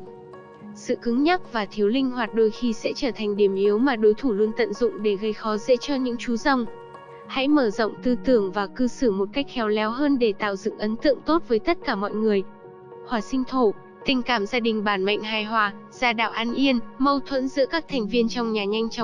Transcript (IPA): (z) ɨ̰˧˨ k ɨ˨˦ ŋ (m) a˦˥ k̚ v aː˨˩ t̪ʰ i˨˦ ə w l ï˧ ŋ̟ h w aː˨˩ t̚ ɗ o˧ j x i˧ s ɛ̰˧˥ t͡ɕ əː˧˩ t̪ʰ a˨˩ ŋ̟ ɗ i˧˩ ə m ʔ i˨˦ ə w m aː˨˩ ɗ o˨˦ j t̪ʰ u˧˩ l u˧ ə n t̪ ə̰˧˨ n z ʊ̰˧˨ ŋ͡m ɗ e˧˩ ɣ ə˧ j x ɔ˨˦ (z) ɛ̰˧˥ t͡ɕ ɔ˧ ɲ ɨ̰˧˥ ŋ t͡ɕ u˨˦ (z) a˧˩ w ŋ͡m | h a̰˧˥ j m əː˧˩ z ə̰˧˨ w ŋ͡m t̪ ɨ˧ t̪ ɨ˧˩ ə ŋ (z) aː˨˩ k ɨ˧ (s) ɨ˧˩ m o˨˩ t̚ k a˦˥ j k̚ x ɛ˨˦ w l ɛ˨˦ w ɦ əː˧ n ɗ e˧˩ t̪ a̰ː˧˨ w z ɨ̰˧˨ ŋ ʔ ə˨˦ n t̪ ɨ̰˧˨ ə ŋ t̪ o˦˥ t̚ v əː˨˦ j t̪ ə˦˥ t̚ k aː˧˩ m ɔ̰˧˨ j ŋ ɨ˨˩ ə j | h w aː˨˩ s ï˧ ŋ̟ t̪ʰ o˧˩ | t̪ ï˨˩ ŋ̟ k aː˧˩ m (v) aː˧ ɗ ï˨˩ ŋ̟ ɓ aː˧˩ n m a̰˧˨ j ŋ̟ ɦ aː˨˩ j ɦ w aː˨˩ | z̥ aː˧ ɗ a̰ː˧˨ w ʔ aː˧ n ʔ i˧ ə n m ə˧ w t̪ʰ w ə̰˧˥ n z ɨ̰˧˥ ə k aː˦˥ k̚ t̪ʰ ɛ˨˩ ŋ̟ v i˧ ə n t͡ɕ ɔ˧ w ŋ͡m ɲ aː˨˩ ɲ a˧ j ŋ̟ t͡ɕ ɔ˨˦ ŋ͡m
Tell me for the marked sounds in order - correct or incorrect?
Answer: incorrect, incorrect, correct, correct, incorrect, correct, incorrect

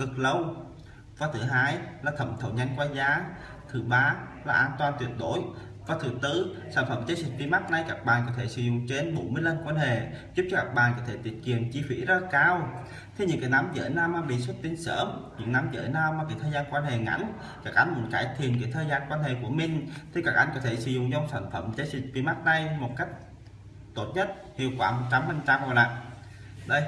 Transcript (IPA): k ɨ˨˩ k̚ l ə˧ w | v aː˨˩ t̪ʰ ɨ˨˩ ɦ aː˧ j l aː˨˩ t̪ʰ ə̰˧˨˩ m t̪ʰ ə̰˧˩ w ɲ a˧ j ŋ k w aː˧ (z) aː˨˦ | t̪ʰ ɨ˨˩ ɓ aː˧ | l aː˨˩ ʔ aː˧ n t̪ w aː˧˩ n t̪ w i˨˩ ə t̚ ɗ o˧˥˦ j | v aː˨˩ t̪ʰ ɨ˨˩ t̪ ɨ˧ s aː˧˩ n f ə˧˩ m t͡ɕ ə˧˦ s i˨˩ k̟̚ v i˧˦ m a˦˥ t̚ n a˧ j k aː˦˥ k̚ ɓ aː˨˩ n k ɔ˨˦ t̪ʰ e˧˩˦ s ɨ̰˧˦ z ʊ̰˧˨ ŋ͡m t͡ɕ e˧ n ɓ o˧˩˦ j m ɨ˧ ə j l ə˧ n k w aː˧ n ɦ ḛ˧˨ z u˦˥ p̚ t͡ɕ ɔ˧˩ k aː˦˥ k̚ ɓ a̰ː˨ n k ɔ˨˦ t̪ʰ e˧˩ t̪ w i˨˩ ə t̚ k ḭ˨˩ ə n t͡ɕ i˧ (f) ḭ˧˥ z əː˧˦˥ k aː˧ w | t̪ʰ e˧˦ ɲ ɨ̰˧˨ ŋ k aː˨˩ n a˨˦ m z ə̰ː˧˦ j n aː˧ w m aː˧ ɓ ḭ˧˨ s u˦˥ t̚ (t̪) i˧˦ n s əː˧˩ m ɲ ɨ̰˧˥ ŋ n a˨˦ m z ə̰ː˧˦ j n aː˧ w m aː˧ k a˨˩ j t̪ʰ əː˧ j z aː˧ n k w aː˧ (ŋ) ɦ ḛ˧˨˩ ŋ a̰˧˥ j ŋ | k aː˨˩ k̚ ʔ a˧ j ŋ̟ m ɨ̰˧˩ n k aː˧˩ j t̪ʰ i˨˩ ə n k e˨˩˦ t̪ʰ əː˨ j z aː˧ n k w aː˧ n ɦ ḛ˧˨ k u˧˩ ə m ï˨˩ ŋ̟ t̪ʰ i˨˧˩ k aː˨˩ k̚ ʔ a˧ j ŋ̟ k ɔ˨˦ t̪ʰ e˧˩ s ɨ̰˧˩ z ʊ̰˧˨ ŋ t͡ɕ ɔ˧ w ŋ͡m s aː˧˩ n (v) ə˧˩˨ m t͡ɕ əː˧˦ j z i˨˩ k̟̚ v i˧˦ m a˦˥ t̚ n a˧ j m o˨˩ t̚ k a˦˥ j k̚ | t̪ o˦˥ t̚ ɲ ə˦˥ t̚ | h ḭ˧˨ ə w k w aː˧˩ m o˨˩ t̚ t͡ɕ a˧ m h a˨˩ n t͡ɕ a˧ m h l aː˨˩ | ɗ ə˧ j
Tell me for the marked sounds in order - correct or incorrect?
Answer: correct, correct, correct, incorrect, incorrect

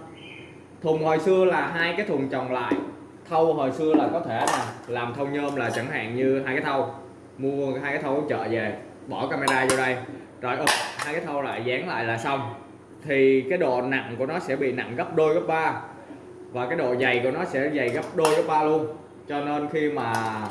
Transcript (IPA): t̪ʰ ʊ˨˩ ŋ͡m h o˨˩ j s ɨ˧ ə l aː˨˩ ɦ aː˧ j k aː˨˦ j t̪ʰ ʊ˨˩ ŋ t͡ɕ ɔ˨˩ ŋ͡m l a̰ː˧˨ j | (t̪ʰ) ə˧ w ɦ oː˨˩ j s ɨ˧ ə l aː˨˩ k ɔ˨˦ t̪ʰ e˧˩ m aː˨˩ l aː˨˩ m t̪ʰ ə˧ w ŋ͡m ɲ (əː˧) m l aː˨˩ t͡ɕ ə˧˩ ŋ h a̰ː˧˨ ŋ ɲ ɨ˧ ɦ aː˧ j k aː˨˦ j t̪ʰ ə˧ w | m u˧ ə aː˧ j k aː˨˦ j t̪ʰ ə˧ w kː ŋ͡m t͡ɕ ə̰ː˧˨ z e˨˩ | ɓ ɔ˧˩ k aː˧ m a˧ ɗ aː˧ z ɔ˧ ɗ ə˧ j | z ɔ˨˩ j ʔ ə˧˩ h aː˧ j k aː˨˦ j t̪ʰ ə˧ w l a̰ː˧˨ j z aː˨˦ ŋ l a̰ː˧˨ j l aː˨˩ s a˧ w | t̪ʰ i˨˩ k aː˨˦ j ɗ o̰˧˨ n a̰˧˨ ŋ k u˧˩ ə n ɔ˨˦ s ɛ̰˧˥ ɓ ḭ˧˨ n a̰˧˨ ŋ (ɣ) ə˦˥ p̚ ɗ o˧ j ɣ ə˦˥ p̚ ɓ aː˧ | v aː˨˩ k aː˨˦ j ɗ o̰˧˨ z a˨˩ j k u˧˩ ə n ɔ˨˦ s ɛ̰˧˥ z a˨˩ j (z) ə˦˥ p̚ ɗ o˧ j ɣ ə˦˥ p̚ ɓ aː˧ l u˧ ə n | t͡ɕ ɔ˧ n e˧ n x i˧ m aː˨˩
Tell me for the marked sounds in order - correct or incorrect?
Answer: correct, correct, correct, incorrect

